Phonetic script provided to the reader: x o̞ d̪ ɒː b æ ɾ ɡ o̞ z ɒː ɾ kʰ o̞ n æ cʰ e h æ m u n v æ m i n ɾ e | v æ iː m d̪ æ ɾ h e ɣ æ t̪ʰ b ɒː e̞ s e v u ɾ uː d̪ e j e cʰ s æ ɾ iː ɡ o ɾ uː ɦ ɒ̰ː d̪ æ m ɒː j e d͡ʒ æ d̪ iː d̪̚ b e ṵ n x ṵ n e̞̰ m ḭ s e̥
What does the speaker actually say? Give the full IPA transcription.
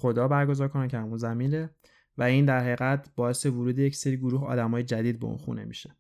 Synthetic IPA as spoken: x o̞ d̪ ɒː b æ ɾ ɡ o̞ z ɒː ɾ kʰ o̞ n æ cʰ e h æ m u n z æ m i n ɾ e | v æ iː n d̪ æ ɾ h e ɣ æ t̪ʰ b ɒː e̞ s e v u ɾ uː d̪ e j e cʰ s e ɾ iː ɡ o ɾ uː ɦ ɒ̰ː d̪ æ m ɒː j e d͡ʒ æ d̪ iː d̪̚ b e ṵ n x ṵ n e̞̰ m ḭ ʃ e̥